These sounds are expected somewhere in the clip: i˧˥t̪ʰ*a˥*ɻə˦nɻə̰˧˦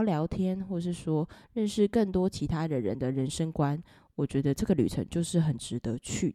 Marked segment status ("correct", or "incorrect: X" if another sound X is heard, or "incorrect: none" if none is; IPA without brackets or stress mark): correct